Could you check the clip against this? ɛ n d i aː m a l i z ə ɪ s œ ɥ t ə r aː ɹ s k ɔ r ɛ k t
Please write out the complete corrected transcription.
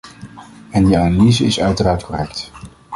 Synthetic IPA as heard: ɛ n d i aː n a l i z ə ɪ s œ ɥ t ə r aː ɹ t k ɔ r ɛ k t